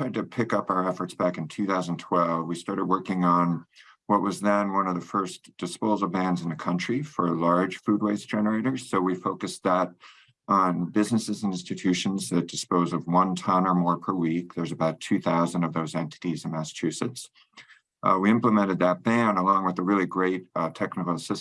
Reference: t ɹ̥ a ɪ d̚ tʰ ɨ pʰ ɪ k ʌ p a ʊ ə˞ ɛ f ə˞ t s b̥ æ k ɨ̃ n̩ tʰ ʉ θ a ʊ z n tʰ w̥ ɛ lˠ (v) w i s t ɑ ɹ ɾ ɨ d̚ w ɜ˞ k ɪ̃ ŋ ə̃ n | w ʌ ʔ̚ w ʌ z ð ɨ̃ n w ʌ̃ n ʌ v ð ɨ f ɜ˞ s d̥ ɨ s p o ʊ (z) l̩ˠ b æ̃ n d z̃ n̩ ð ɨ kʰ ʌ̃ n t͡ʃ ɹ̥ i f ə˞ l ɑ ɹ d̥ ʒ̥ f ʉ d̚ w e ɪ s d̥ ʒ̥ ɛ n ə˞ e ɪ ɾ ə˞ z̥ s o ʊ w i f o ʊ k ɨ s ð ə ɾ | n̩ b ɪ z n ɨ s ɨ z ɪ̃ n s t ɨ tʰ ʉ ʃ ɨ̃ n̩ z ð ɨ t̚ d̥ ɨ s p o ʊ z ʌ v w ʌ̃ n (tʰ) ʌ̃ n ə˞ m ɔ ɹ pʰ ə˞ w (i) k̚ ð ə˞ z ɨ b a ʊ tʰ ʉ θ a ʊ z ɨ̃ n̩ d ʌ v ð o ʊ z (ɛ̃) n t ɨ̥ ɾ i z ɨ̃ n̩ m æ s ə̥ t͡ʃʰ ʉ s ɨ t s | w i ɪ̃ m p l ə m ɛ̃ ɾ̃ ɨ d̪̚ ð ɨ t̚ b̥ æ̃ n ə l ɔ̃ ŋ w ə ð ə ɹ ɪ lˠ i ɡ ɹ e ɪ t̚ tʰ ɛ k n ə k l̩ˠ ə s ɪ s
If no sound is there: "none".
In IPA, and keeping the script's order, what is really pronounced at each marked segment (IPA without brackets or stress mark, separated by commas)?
v, z, tʰ, i, ɛ̃